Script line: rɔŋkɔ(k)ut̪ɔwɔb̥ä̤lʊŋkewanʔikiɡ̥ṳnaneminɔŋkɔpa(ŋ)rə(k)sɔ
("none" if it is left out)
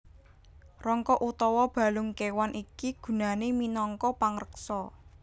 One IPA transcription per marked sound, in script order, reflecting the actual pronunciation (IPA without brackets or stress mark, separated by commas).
ʔ, ŋ, k